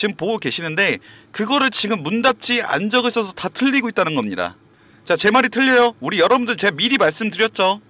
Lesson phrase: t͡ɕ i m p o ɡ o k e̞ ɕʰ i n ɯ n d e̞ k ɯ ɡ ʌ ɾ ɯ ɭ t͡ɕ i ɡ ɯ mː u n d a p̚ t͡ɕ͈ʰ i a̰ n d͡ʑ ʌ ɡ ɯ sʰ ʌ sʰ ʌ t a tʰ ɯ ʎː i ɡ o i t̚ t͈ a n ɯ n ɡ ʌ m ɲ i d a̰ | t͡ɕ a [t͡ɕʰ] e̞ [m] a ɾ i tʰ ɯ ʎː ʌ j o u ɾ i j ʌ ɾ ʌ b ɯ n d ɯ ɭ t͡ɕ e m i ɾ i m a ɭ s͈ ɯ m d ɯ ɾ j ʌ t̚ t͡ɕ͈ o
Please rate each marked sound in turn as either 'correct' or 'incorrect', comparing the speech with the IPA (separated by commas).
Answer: incorrect, correct